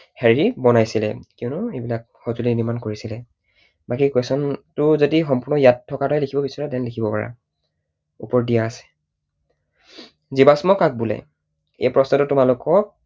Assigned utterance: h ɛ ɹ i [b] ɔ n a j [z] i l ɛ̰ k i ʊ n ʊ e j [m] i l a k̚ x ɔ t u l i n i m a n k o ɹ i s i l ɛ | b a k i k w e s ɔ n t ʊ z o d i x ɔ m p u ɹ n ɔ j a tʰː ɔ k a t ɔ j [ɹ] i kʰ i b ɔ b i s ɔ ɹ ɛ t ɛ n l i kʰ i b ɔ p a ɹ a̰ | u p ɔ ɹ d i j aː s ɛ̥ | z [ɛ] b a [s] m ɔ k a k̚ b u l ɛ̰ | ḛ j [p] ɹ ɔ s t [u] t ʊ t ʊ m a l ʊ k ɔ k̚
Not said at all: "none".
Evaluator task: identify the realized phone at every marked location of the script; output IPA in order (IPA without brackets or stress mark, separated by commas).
b, s, b, l, i, s, p, ɔ